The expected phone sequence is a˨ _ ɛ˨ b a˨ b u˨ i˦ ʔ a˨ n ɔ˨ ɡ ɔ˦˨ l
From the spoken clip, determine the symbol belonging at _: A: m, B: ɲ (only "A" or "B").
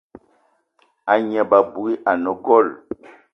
B